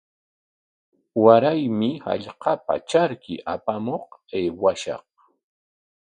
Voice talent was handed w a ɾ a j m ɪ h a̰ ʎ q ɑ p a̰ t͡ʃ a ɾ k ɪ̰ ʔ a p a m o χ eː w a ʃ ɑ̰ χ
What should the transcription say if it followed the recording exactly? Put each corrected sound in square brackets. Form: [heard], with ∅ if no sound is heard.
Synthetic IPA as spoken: w a ɾ a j m ɪ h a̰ ʎ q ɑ p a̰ t͡ʃ a ɾ k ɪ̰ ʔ a p a m o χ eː w a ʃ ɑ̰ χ